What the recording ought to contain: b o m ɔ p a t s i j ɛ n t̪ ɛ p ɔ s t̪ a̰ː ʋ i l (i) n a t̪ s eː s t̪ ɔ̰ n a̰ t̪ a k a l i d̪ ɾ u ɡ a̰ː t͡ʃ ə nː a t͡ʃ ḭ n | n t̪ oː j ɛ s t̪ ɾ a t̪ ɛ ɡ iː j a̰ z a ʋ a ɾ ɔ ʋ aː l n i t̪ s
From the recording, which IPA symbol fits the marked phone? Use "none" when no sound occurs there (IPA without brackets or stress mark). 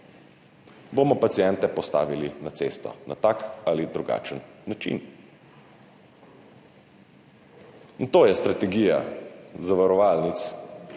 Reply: i